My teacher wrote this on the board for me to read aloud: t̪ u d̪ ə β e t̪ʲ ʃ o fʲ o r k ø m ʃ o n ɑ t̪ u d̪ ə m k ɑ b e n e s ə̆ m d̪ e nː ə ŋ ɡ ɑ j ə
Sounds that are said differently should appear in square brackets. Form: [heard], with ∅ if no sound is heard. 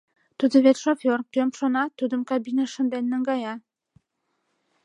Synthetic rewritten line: t̪ u d̪ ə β e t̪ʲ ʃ o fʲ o r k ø m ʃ o n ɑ t̪ u d̪ ə m k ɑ b [i] n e [ʃ] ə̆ [n] d̪ e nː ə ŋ ɡ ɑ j [ɑ]